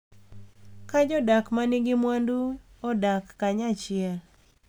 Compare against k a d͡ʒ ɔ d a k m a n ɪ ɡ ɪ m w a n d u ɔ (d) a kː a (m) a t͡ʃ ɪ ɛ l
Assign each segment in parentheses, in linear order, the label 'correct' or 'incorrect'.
correct, incorrect: ɲ

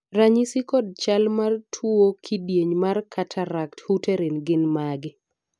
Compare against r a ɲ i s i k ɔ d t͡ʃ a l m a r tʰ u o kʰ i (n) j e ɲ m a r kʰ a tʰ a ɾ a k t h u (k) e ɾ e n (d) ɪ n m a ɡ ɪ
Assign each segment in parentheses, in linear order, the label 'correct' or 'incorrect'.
incorrect: d, incorrect: t, incorrect: ɡ

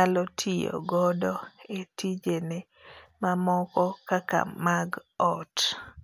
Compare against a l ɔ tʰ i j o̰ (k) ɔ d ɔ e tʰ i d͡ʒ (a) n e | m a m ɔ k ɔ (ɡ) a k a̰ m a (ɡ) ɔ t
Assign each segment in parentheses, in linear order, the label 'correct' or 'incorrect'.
incorrect: ɡ, incorrect: e, incorrect: k, correct

